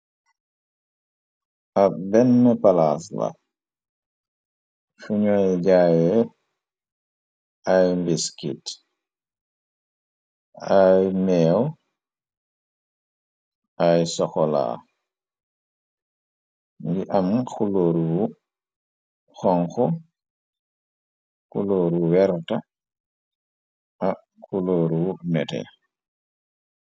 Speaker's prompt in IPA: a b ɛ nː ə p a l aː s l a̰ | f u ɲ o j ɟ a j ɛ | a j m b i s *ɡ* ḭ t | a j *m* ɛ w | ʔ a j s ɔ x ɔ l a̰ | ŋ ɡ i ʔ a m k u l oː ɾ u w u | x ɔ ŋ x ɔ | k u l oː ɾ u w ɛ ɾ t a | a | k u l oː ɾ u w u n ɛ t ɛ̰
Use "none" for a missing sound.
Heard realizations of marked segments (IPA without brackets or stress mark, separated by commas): k, m